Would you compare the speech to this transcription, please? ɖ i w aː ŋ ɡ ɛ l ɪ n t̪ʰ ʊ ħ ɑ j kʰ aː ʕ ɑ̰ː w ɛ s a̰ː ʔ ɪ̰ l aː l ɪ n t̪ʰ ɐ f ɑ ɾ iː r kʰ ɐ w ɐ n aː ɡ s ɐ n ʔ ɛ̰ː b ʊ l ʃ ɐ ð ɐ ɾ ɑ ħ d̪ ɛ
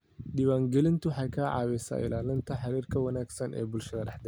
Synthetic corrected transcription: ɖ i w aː ŋ ɡ ɛ l ɪ n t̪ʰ ʊ ħ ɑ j kʰ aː ʕ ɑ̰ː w ɛ s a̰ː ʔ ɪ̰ l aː l ɪ n t̪ʰ ɐ ħ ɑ ɾ iː r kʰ ɐ w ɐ n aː ɡ s ɐ n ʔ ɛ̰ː b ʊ l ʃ ɐ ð ɐ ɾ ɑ ħ d̪ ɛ